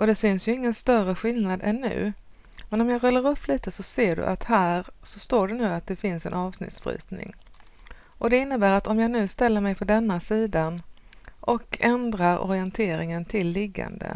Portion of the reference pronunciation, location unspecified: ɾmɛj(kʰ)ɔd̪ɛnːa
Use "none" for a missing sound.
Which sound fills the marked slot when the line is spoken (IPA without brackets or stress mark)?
pʰ